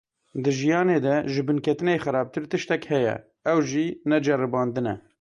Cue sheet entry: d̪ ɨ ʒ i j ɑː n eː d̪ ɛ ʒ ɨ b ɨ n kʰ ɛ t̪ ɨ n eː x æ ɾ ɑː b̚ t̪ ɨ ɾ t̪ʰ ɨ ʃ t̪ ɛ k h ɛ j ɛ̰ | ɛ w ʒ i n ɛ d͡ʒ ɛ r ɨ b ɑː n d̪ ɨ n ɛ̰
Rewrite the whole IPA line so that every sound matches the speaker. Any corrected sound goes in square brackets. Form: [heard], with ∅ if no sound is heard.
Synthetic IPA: d̪ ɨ ʒ i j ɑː n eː d̪ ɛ ʒ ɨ b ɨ n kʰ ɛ t̪ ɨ n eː x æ ɾ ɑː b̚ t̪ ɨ ɾ [t̪] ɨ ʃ t̪ ɛ k h ɛ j ɛ̰ | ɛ w ʒ i n ɛ d͡ʒ ɛ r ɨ b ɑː n d̪ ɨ n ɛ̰

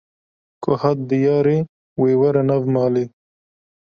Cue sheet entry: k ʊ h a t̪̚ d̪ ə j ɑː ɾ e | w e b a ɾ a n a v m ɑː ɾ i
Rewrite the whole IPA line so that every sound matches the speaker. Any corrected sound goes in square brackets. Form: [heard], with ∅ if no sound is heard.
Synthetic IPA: k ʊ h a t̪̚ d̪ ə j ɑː ɾ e | w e [w] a ɾ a n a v m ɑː [l] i

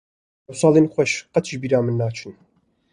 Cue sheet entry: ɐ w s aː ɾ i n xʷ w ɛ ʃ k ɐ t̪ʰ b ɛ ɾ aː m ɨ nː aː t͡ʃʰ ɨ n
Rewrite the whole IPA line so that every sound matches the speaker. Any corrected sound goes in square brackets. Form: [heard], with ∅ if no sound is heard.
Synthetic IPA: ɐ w s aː [l] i n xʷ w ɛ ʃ [q] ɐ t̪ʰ b [i] ɾ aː m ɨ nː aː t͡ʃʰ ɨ n

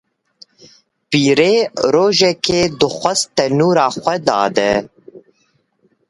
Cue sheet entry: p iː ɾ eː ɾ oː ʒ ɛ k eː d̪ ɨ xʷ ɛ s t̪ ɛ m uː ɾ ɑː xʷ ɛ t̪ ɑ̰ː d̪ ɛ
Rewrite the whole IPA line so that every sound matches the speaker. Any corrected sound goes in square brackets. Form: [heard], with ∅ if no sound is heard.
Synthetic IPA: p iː ɾ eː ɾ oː ʒ ɛ k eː d̪ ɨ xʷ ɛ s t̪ ɛ [n] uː ɾ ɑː xʷ ɛ [d̪] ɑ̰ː d̪ ɛ

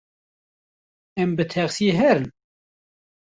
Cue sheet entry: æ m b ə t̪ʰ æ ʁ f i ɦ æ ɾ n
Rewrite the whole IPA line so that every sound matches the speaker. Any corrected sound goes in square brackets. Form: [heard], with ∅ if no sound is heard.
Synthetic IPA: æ m b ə t̪ʰ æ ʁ [s] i ɦ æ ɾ n

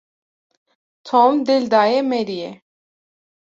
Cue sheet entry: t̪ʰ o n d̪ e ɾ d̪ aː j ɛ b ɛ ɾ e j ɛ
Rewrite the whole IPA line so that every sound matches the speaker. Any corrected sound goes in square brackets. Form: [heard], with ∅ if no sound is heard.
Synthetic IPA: t̪ʰ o [m] d̪ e [l] d̪ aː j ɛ [m] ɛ ɾ [i] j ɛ

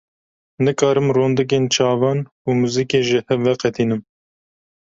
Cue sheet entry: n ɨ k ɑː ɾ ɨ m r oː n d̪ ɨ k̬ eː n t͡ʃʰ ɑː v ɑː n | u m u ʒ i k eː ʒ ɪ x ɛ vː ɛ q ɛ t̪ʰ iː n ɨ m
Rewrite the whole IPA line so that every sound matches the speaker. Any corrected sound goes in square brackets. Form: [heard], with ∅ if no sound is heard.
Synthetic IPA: n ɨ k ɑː ɾ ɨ m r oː n d̪ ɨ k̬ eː n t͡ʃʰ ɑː v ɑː n | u m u [z] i k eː ʒ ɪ [h] ɛ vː ɛ q ɛ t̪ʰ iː n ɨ m

